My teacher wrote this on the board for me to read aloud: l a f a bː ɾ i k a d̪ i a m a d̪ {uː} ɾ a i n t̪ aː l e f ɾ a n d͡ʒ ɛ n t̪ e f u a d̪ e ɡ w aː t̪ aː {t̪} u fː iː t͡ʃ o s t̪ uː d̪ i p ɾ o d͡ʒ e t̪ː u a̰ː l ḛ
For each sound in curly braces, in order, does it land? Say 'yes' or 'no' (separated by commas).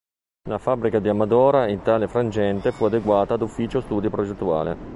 no, no